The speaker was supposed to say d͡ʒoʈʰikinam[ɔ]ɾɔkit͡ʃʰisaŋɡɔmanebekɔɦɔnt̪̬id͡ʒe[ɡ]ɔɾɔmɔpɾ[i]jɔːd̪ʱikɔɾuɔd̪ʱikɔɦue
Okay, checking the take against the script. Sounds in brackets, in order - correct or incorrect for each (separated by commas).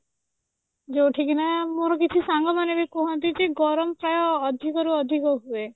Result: incorrect, correct, incorrect